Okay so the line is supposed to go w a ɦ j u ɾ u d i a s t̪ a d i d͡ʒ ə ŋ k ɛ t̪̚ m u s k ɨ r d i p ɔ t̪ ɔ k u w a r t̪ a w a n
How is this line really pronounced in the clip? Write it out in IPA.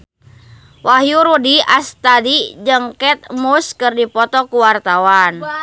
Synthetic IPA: w a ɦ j u ɾ u d i a s t̪ a d i d͡ʒ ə ŋ k ɛ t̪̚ m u s k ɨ r d i p ɔ t̪ ɔ k u w a r t̪ a w a n